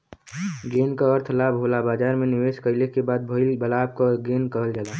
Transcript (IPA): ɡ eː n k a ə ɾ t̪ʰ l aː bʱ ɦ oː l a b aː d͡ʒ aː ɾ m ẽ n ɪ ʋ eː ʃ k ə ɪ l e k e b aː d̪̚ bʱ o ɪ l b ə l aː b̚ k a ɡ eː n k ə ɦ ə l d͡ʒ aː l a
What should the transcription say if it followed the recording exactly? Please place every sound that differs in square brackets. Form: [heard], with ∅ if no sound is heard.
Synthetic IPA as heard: ɡ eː n k a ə ɾ t̪ʰ l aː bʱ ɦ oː l a b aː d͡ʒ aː ɾ m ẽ n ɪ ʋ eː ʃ k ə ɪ l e k e b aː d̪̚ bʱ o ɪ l b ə l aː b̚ k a ɡ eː n k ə ɦ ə l d͡ʒ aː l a